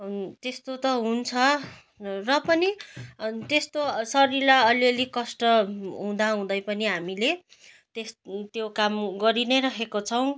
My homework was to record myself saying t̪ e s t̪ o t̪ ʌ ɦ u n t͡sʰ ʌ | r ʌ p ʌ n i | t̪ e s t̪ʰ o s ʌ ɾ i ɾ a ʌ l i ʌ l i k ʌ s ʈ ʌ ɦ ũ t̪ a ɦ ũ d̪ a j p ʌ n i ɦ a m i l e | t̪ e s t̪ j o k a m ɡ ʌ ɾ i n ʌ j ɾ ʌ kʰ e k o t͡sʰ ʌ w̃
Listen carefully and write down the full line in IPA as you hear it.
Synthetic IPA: t̪ e s t̪ o t̪ ʌ ɦ u n t͡sʰ ʌ | r ʌ p ʌ n i | t̪ e s t̪ o s ʌ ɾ i l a ʌ l i ʌ l i k ʌ s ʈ ʌ ɦ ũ d̪ a ɦ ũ d̪ ʌ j p ʌ n i ɦ a m i l e | t̪ e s t̪ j o k a m ɡ ʌ ɾ i n ʌ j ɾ ʌ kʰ e k o t͡sʰ ʌ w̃